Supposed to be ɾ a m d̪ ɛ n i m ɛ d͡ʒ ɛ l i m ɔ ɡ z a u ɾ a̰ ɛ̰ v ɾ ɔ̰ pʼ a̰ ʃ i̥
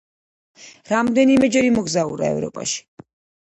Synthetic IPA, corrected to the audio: ɾ a m d̪ ɛ n i m ɛ d͡ʒ ɛ ɾ i m ɔ ɡ z a u ɾ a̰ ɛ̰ v ɾ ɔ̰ pʼ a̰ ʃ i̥